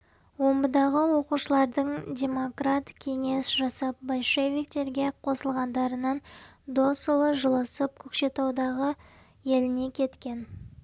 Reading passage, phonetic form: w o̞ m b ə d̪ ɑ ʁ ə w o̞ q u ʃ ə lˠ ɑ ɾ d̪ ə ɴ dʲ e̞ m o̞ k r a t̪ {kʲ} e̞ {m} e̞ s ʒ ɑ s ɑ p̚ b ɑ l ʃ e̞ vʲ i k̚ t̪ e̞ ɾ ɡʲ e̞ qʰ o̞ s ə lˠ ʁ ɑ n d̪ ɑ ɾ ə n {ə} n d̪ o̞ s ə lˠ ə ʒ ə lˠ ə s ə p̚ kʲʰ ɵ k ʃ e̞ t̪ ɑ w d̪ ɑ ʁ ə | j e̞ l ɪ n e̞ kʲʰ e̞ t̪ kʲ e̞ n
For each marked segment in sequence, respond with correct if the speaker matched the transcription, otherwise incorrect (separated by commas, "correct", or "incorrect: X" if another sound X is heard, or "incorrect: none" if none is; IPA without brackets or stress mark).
incorrect: kʲʰ, incorrect: ŋ, incorrect: ɑ